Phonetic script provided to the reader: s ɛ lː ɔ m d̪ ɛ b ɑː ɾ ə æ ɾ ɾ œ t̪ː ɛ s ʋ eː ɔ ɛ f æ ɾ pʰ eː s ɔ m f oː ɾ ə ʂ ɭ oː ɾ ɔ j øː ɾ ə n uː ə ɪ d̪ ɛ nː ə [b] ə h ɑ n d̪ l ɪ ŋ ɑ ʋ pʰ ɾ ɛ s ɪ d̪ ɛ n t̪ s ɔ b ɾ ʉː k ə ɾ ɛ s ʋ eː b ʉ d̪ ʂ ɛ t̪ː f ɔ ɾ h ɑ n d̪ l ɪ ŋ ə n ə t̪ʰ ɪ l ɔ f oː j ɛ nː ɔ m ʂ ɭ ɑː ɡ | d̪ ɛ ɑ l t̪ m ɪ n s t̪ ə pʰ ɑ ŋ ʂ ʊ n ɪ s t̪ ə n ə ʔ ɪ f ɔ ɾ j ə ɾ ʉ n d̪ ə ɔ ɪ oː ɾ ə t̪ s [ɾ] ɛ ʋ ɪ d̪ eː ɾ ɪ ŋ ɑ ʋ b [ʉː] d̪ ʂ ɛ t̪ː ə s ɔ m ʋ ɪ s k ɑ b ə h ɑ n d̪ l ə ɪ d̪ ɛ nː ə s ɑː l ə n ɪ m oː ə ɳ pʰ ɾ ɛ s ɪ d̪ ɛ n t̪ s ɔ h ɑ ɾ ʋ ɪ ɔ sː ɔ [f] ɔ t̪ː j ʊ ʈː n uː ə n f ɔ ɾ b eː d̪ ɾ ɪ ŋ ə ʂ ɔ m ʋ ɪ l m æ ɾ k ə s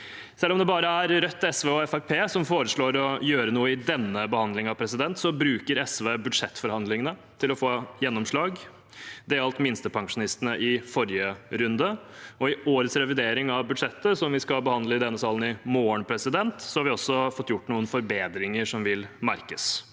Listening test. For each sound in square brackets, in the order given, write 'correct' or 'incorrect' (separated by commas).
correct, correct, incorrect, correct